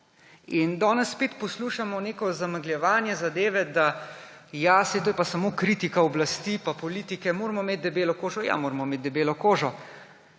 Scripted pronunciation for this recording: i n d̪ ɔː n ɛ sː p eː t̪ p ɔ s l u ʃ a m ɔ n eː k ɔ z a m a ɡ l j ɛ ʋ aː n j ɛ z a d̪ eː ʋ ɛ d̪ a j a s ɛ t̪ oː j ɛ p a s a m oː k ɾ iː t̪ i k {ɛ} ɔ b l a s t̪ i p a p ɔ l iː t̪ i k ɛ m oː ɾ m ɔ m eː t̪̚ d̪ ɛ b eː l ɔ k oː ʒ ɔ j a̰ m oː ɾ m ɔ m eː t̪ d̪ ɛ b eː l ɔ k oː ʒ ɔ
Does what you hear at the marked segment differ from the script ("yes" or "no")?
yes